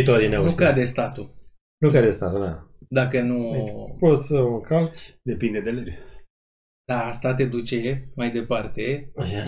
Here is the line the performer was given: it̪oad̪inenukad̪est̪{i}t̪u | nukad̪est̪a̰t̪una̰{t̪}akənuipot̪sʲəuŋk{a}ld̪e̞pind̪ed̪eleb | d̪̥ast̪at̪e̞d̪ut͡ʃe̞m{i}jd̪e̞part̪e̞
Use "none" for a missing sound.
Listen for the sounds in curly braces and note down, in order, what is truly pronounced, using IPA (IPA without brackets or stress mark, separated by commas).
a, d̪, a, a